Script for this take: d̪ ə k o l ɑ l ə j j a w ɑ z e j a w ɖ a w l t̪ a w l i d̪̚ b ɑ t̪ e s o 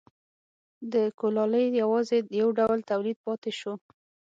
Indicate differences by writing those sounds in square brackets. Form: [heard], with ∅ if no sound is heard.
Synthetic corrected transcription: d̪ ə k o l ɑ l ə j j a w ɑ z e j a w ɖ a w l t̪ a w l i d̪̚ [p] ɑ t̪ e [ʃ] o